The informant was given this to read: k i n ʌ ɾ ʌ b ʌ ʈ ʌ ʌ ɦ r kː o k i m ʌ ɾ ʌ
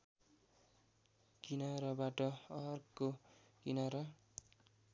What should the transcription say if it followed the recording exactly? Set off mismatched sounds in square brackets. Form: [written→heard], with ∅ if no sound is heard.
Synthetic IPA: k i n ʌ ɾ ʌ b [ʌ→a] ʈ ʌ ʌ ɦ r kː o k i [m→n] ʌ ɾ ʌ